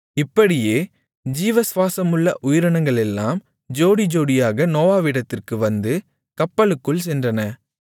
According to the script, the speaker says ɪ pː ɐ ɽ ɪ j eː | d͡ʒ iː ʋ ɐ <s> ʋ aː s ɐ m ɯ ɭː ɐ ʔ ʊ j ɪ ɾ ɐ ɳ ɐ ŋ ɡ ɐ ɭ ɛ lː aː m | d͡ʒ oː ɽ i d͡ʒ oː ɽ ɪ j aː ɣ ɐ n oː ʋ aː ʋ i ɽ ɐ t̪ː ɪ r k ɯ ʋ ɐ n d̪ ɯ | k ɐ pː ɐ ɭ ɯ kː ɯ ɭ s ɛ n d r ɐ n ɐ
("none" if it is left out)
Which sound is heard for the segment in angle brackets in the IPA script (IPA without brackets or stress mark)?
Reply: s